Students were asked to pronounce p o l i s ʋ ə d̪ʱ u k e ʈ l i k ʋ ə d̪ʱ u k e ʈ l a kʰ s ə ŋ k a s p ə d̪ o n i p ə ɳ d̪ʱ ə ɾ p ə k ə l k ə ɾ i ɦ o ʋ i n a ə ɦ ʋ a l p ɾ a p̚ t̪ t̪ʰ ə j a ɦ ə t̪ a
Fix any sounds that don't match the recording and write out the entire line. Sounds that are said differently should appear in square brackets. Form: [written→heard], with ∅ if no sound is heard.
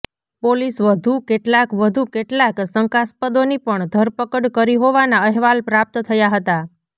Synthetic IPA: p o l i s ʋ ə d̪ʱ u k e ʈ l [i→a] k ʋ ə d̪ʱ u k e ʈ l a [kʰ→k] s ə ŋ k a s p ə d̪ o n i p ə ɳ d̪ʱ ə ɾ p ə k ə [l→ɽ] k ə ɾ i ɦ o ʋ [i→a] n a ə ɦ ʋ a l p ɾ a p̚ t̪ t̪ʰ ə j a ɦ ə t̪ a